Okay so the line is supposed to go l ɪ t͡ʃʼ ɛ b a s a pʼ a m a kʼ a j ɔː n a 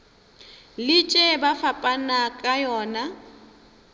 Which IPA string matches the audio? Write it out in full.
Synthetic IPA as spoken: l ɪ t͡ʃʼ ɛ b a f a pʼ a n a kʼ a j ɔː n a